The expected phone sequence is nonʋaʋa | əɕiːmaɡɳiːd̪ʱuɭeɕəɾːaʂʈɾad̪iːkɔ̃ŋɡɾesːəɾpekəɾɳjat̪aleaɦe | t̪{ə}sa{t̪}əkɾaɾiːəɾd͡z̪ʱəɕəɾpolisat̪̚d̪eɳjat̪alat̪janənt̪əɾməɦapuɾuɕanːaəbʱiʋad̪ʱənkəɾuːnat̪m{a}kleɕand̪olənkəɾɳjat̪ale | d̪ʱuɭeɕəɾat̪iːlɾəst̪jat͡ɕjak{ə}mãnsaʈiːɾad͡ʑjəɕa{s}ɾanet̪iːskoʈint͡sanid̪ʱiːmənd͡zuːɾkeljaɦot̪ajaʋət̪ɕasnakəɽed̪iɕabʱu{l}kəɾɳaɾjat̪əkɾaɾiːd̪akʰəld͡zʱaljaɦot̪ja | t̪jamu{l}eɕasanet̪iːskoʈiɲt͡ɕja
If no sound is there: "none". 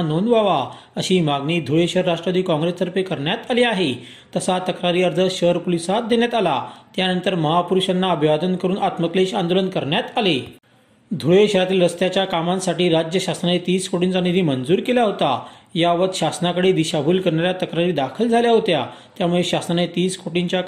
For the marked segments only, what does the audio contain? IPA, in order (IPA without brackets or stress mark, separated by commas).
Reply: ə, t̪, ə, a, s, l, ɭ